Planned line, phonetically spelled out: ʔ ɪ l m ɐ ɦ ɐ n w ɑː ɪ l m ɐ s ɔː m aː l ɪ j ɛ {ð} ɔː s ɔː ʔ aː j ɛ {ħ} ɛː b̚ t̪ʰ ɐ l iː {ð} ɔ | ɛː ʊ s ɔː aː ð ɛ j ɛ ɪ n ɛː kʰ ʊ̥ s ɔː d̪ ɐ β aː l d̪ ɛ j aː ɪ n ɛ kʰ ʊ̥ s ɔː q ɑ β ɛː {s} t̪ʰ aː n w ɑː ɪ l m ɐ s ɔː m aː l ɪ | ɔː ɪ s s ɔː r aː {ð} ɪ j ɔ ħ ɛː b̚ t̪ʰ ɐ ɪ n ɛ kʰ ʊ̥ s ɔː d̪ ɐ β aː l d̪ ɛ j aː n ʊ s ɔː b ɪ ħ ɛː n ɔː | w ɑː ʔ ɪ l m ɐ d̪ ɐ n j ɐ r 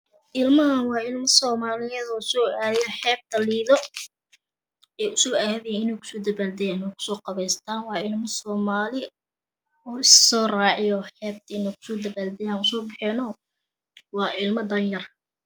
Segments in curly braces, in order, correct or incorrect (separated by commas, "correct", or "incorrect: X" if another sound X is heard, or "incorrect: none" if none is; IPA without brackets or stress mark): correct, correct, correct, correct, incorrect: ʕ